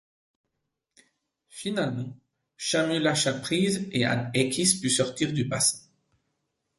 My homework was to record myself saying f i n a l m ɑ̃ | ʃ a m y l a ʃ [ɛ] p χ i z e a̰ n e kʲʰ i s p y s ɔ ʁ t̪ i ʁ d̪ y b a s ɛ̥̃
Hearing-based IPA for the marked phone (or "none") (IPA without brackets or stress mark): a